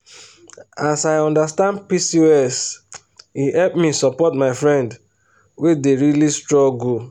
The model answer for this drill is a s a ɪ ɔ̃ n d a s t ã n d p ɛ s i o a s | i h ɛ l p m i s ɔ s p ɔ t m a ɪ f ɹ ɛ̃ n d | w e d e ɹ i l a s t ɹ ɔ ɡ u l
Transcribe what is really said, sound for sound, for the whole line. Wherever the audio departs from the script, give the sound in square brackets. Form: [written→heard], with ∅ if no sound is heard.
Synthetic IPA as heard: a s a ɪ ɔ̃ n d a s t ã n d p [ɛ→i] s i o [a→ɛ] s | i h ɛ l p m i s ɔ [s→∅] p ɔ t m a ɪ f ɹ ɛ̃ n d | w e d e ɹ i l [a→i] s t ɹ ɔ ɡ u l